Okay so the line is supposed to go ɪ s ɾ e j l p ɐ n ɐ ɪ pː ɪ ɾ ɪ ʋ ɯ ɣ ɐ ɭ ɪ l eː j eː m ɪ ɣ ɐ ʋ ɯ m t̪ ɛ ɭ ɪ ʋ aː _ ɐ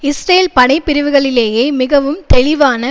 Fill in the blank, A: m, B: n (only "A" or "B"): B